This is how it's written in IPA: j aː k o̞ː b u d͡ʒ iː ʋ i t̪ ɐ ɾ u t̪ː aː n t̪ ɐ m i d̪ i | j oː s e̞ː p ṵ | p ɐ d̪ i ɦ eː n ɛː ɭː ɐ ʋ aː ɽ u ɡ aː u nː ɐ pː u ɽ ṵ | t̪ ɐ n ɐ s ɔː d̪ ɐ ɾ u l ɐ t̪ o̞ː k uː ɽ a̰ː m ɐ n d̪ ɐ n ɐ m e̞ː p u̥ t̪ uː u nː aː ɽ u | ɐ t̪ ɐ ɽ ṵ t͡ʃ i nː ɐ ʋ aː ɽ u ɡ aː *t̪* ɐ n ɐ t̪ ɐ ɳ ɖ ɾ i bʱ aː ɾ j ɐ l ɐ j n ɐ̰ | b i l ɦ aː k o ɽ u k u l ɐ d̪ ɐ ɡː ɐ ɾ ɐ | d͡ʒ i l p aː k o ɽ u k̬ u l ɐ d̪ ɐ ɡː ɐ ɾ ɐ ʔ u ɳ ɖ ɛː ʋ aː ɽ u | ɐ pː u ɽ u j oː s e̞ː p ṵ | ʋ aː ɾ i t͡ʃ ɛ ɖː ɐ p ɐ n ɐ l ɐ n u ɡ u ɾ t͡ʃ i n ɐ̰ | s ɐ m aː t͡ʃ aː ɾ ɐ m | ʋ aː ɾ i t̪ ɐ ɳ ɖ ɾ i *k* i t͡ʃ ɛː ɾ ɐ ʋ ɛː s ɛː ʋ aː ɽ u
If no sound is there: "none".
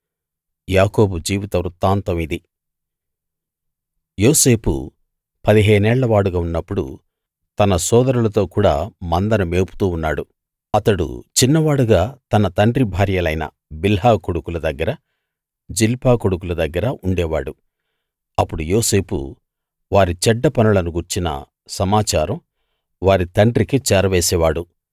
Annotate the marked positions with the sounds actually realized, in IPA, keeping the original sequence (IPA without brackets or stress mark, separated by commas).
t̪, k